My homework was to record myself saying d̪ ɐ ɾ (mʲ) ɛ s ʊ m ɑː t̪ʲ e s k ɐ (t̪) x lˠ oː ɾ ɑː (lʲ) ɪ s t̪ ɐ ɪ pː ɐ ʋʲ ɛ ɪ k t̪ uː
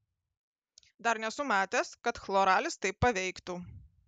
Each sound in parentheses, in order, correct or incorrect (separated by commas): incorrect, correct, correct